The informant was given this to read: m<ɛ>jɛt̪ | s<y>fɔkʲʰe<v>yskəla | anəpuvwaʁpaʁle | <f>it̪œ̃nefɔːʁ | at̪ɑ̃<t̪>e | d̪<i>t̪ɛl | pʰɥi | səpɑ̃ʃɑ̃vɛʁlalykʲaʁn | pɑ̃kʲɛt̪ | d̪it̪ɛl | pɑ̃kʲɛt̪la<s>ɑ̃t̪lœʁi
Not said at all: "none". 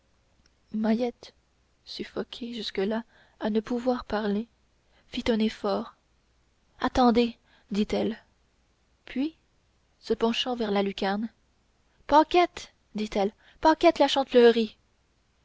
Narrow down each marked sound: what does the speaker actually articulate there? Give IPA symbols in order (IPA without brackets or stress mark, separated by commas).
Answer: a, y, ʒ, f, d̪, i, ʃ